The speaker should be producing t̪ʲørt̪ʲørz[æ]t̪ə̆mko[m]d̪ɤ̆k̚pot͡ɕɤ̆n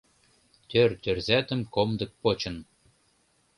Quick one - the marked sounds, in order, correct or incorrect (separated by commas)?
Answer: correct, correct